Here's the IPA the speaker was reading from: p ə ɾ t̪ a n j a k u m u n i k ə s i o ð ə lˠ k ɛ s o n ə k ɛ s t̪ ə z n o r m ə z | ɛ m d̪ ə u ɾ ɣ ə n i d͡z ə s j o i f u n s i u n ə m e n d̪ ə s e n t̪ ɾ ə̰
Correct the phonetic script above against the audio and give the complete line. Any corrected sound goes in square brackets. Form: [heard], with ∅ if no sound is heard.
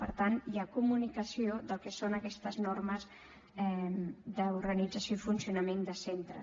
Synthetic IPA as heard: p ə ɾ t̪ a n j a k u m u n i k ə s i o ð ə lˠ k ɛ s o n ə k ɛ s t̪ ə z n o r m ə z | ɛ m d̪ ə u ɾ ɣ ə n i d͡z ə s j o i f u n s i u n ə m e n d̪ ə s e n t̪ ɾ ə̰